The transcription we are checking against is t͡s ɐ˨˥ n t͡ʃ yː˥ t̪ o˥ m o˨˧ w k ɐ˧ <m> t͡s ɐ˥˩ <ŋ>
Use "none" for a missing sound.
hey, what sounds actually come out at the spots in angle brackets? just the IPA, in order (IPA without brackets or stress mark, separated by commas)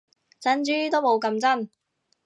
m, n